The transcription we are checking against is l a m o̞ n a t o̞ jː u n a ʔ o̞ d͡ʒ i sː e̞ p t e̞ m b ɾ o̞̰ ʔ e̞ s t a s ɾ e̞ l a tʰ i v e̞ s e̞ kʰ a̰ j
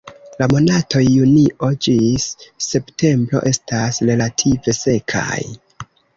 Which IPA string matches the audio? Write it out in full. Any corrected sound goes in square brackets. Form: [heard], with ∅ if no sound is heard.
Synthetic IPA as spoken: l a m o̞ n a t o̞ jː u n [i] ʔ o̞ d͡ʒ i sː e̞ p t e̞ m b ɾ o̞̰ ʔ e̞ s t a s ɾ e̞ l a tʰ i v e̞ s e̞ kʰ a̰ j